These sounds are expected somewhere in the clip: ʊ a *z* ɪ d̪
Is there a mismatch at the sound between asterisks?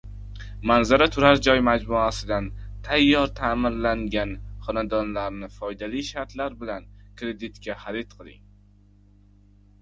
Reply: yes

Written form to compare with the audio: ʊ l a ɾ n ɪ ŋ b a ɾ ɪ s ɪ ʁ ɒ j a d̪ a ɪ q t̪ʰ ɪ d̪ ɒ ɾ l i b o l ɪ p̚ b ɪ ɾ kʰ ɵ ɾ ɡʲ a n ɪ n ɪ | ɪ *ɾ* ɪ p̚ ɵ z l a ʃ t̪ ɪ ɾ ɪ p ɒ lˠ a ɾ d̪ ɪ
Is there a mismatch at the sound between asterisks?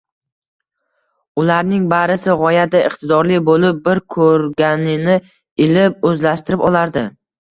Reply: yes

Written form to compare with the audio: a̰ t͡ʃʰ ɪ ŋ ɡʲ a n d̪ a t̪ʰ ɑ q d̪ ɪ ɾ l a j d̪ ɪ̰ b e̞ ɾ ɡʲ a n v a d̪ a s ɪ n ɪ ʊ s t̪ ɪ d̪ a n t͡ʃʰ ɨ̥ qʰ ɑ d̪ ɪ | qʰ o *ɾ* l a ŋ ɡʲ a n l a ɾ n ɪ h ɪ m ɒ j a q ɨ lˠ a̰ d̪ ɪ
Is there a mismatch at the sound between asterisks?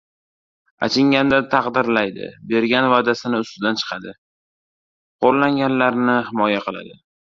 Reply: no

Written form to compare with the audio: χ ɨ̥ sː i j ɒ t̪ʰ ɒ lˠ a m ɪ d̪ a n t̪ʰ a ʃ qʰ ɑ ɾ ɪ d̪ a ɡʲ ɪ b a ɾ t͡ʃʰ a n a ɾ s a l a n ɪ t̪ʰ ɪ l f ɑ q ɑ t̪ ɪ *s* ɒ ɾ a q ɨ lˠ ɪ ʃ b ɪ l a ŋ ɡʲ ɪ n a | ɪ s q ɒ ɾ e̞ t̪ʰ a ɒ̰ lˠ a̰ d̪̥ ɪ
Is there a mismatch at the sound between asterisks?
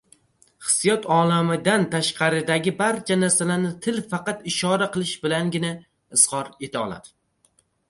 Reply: yes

